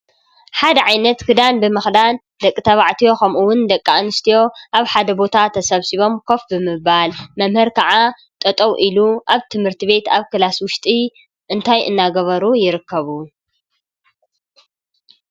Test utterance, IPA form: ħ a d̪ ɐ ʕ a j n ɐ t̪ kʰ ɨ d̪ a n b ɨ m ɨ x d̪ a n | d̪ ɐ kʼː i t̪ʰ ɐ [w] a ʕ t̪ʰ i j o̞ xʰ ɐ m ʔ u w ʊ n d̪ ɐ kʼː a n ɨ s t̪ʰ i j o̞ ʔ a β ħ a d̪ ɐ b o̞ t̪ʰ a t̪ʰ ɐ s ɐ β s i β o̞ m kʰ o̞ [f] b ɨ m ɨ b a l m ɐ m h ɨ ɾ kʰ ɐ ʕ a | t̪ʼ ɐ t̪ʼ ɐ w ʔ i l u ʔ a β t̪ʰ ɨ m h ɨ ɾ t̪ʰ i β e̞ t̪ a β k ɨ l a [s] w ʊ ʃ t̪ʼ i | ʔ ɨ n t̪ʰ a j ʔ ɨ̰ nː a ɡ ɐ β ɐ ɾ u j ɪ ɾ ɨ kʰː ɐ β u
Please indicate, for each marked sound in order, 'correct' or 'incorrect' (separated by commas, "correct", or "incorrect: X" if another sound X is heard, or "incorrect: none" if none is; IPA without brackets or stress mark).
incorrect: β, correct, correct